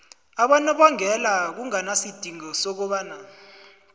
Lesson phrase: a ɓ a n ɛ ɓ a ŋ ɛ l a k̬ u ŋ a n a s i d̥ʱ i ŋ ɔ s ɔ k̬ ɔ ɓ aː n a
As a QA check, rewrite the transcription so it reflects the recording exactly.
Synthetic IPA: a ɓ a n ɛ ɓ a ŋ ɛ l a k̬ u ŋ a n a s i d̥ʱ i ŋ ɔ s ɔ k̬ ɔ ɓ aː n a